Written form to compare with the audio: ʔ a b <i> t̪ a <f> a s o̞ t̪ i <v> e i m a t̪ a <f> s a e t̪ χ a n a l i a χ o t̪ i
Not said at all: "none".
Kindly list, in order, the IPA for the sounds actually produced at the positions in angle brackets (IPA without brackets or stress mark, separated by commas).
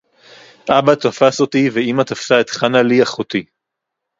a, f, v, f